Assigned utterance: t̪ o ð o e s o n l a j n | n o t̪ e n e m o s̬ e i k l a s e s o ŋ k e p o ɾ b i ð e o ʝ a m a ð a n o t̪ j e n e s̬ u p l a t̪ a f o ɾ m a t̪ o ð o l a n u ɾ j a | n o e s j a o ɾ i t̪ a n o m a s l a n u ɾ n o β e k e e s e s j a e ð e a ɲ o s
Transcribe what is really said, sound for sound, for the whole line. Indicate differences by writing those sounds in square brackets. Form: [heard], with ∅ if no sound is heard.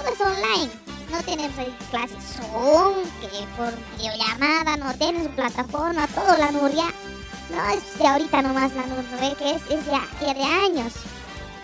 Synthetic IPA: t̪ o ð o e s o n l a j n | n o t̪ e n e m o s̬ [a] i k l a s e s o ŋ k e p o ɾ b i ð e o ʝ a m a ð a n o t̪ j e n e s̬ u p l a t̪ a f o ɾ m a t̪ o ð o l a n u ɾ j a | n o e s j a o ɾ i t̪ a n o m a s l a n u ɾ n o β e k e e s e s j a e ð e a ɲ o s